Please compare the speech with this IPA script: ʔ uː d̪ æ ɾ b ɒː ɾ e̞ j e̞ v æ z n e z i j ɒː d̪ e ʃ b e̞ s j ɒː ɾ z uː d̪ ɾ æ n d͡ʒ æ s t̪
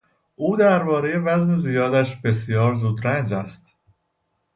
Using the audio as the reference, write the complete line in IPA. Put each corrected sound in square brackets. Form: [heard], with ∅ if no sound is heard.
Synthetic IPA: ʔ uː d̪ æ ɾ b ɒː ɾ e̞ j e̞ v æ z n e z i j ɒː d̪ [æ] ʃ b e̞ s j ɒː ɾ z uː d̪ ɾ æ n d͡ʒ æ s t̪